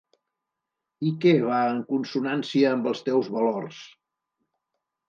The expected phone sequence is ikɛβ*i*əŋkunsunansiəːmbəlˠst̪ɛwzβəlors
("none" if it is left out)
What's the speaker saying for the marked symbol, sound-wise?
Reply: a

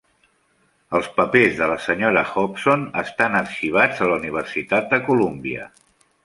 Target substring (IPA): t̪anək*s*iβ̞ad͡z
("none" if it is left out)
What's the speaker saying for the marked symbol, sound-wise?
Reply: ʃ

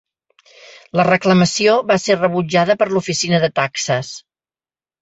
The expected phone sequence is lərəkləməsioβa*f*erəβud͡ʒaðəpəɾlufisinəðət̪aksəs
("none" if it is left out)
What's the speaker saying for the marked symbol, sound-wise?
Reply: s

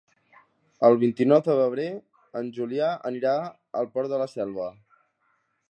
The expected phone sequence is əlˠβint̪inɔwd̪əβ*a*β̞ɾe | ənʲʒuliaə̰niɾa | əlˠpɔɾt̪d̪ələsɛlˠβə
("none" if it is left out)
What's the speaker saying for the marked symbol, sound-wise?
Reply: ə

